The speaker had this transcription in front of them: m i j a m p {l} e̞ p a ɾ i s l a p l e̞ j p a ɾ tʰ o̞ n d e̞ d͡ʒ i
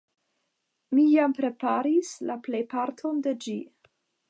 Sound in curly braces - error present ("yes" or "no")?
yes